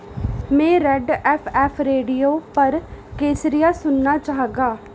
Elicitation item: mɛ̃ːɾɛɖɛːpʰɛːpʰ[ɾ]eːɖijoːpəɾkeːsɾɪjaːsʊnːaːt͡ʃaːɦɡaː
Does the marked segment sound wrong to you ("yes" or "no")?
no